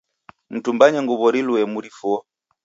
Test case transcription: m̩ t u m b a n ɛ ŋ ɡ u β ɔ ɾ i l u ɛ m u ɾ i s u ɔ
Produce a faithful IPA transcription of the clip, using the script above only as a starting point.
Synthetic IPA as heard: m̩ t u m b a ɲ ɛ ŋ ɡ u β ɔ ɾ i l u ɛ m u ɾ i f u ɔ